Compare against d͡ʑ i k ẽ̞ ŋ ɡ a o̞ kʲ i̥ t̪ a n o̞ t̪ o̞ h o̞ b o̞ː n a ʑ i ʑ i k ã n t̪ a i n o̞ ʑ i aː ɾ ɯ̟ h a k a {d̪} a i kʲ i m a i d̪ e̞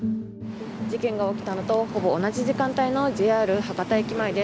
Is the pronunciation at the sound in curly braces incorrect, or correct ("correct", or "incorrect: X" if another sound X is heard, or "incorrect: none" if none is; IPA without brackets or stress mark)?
incorrect: t̪